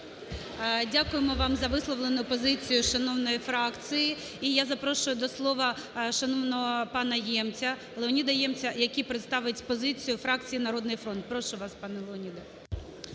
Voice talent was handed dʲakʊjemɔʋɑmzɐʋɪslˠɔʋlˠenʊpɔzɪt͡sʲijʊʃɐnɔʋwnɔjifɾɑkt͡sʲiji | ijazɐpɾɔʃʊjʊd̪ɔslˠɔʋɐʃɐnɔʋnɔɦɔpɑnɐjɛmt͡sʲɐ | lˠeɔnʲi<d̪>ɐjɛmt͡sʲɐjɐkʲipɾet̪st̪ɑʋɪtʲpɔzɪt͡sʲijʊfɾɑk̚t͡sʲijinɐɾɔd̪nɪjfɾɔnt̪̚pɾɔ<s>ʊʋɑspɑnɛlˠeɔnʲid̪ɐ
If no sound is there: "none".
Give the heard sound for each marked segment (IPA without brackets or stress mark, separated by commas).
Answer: d̪, ʃ